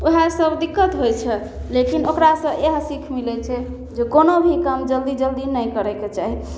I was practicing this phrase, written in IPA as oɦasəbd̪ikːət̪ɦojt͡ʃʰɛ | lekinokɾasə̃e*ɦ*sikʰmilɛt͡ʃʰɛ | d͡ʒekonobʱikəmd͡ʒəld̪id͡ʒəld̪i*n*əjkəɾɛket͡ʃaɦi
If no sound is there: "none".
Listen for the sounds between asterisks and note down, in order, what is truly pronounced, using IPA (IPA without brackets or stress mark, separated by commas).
ɦ, n